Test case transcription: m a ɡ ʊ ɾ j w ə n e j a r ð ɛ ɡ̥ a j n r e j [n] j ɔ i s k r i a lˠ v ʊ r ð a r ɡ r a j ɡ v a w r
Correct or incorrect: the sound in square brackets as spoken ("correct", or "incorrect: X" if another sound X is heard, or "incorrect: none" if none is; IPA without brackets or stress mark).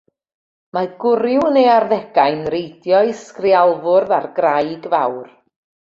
incorrect: d